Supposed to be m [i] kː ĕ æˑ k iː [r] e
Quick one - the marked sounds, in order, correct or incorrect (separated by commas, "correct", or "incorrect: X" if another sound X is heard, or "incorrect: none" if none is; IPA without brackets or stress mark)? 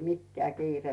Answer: correct, correct